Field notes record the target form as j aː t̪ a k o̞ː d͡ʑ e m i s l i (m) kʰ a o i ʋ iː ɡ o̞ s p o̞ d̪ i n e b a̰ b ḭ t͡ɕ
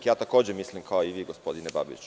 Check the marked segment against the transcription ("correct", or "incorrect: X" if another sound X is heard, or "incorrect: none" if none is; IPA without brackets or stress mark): correct